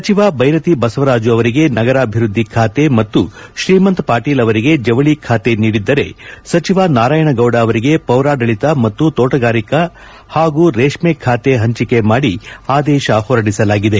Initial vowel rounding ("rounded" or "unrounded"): unrounded